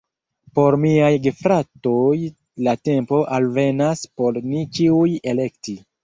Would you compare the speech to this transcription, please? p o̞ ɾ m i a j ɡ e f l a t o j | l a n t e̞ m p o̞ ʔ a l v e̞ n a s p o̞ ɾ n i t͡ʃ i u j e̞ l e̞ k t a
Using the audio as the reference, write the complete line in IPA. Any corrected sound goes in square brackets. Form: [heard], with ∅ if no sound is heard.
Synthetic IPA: p o̞ ɾ m i a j ɡ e f [ɾ] a t o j | l a [∅] t e̞ m p o̞ ʔ a l v e̞ n a s p o̞ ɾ n i t͡ʃ i u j e̞ l e̞ k t [i]